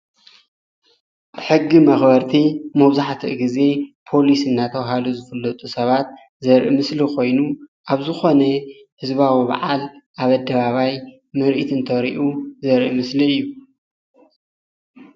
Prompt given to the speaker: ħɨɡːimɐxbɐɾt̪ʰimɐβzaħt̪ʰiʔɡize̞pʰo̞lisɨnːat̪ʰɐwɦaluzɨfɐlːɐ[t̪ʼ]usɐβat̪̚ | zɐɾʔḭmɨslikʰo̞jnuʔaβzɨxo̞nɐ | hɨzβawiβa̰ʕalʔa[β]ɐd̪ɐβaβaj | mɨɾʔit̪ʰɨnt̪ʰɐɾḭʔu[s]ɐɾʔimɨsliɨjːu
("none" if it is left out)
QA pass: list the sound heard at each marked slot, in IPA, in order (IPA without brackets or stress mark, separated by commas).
t̪ʼ, β, z